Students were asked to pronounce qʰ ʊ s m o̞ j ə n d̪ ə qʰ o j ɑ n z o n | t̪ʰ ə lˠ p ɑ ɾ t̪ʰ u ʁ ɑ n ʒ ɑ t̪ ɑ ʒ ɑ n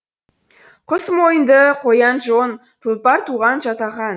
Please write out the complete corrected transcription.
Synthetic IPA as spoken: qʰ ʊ s m o̞ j ə n d̪ ə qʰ o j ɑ n ʒ o n | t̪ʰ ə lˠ p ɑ ɾ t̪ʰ u ʁ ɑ n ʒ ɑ t̪ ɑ ʁ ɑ n